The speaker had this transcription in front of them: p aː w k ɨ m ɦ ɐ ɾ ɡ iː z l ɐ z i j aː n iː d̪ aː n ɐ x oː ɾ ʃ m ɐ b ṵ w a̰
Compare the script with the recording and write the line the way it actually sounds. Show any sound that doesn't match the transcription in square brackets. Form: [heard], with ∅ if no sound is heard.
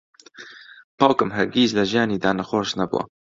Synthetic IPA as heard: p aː w k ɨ m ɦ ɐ ɾ ɡ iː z l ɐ [ʒ] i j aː n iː d̪ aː n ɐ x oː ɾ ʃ [n] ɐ b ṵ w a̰